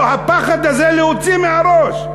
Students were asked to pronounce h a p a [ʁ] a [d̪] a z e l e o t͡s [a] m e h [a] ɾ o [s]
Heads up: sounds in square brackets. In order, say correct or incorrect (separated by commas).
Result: incorrect, correct, incorrect, correct, incorrect